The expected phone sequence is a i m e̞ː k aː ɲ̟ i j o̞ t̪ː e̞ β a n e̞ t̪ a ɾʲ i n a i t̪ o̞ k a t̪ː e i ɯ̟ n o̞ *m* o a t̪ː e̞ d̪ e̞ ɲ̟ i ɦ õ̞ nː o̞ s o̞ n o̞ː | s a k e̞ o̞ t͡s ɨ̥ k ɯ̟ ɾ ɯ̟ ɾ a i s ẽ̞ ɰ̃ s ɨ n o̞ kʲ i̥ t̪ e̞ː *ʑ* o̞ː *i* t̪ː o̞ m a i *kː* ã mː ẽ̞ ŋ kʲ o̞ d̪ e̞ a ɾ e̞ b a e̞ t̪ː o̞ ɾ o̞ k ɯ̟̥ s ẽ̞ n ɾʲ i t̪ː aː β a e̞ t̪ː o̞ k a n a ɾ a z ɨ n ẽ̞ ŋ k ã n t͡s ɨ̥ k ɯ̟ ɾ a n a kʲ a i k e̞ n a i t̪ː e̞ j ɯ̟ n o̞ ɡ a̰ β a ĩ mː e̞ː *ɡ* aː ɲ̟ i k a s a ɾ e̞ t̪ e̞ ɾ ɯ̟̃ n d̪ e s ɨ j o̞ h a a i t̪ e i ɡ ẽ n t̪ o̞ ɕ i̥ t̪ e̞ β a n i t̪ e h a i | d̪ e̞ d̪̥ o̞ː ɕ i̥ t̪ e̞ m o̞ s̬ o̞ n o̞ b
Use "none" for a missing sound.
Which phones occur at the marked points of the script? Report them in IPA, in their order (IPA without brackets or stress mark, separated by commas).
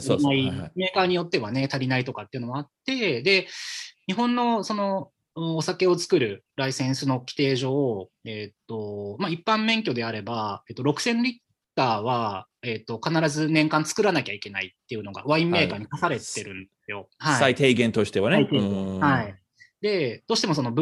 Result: m, ʑ, e, pː, k